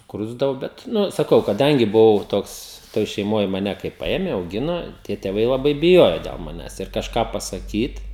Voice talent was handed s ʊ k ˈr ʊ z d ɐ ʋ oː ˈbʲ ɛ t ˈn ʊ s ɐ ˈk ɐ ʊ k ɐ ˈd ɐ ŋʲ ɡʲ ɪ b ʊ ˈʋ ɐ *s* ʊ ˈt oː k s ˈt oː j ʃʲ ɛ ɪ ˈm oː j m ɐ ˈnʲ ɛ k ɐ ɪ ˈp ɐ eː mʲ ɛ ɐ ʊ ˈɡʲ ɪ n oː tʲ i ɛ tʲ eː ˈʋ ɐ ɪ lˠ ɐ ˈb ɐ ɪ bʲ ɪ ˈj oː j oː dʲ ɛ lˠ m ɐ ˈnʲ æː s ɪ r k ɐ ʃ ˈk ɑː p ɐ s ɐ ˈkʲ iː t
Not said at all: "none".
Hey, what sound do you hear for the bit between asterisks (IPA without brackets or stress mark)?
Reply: none